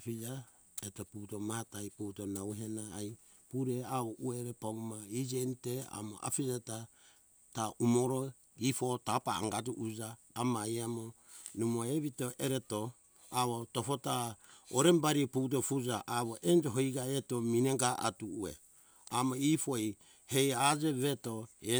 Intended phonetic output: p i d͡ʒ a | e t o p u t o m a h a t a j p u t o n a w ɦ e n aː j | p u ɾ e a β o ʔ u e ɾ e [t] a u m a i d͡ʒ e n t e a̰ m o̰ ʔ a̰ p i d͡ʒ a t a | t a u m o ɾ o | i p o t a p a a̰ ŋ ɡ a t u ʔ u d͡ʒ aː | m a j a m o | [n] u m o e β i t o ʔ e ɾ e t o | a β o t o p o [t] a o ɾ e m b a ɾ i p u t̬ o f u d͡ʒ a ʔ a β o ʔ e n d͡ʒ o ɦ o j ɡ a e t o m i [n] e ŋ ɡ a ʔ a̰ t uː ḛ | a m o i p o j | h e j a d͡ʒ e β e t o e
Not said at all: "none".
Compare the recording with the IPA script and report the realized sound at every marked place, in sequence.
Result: p, n, t, n

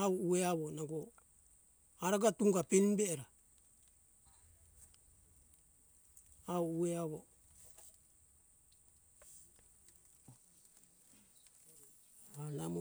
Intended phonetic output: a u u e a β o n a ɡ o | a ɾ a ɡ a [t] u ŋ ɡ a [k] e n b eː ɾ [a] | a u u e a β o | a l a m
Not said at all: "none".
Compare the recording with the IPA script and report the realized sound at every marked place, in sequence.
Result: t, p, a

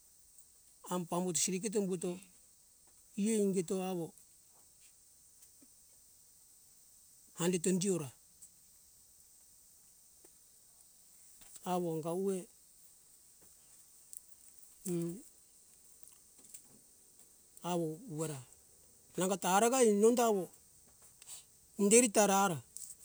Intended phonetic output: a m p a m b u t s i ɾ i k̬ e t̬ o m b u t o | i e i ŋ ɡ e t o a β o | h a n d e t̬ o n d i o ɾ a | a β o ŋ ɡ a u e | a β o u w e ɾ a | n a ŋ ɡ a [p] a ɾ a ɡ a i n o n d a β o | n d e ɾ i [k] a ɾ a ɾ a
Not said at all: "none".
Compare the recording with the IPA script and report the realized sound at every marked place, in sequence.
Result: t, t

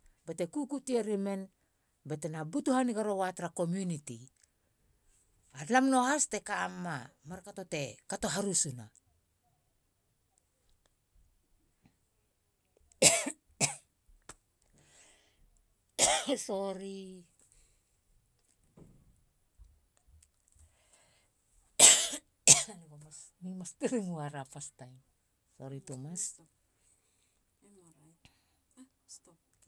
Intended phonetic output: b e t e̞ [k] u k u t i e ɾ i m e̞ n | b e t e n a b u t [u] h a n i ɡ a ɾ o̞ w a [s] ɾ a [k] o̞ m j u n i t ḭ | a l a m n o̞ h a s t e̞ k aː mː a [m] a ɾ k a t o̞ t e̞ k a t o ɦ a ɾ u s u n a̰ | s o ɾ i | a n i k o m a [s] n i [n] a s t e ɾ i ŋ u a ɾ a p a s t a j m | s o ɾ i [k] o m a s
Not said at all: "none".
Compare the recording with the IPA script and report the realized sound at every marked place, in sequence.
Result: k, u, t, k, m, s, m, t

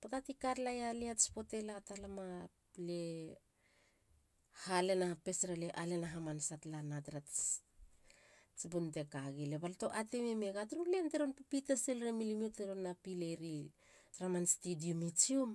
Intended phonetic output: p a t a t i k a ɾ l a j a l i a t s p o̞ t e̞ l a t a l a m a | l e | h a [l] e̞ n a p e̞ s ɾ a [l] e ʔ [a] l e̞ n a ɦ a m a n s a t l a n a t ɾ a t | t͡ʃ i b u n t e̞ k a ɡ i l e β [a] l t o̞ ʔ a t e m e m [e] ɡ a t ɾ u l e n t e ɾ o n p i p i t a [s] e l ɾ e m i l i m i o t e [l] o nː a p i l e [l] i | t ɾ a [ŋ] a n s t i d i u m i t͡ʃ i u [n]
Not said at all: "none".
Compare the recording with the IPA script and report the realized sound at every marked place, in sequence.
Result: l, l, a, a, e, s, ɾ, ɾ, m, m

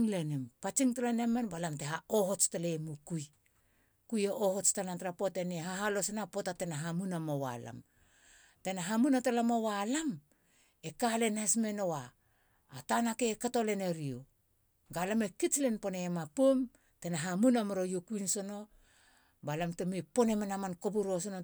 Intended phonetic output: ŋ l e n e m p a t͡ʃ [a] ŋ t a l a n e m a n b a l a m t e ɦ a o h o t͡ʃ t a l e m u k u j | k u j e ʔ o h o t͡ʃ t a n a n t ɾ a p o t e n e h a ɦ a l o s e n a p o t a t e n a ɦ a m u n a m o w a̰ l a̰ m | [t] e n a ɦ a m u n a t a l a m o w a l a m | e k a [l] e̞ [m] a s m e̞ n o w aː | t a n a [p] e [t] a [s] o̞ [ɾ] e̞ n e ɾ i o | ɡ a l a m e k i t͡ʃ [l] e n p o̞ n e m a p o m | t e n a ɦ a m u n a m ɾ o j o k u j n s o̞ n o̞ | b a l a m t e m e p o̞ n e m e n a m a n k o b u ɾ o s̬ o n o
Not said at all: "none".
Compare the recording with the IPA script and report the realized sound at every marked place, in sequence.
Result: i, t, l, n, k, k, t, l, l

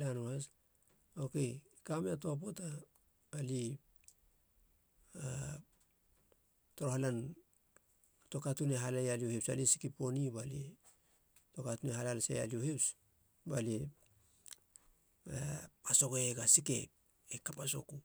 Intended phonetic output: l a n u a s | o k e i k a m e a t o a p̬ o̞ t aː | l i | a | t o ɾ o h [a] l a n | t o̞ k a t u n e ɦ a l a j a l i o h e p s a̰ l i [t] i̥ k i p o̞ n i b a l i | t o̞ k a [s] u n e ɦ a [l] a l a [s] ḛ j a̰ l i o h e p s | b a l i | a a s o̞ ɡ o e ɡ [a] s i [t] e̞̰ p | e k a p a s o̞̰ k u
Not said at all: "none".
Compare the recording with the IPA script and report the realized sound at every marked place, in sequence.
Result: a, s, t, l, s, a, k

